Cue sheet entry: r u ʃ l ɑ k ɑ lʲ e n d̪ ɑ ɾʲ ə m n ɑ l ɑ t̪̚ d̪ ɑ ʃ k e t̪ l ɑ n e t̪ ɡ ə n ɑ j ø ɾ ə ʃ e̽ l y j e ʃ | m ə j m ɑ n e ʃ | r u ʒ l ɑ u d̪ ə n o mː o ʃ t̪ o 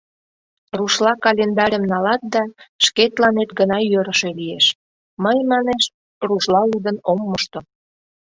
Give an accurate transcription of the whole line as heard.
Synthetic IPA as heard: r u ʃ l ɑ k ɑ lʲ e n d̪ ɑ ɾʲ ə m n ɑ l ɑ t̪̚ d̪ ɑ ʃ k e t̪ l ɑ n e t̪ ɡ ə n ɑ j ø ɾ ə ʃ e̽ l i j e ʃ | m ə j m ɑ n e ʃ | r u ʃ l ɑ u d̪ ə n o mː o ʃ t̪ o